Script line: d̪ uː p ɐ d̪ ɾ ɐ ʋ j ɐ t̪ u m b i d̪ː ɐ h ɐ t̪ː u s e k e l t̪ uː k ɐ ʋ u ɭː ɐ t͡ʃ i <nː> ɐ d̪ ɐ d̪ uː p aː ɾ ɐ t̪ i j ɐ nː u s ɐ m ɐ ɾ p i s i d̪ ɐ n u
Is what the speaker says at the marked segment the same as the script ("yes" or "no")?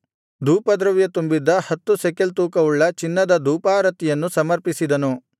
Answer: yes